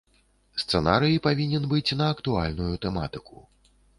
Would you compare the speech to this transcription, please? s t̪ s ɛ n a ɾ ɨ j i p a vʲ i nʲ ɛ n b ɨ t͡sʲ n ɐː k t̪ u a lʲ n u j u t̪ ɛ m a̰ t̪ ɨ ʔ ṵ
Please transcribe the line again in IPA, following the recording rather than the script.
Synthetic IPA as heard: s t̪ s ɛ n a ɾ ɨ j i p a vʲ i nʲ ɛ n b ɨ t͡sʲ n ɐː k t̪ u a lʲ n u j u t̪ ɛ m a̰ t̪ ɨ k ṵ